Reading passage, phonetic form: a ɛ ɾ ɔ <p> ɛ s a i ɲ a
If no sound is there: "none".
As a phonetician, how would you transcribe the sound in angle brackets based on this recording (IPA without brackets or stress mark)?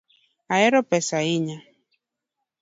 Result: p